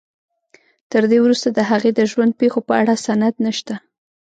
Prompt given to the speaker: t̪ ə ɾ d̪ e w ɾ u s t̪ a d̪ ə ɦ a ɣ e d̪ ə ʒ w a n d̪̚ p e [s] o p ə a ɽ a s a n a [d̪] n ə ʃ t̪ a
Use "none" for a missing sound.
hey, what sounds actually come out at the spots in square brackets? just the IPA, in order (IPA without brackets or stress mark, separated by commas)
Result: x, d̪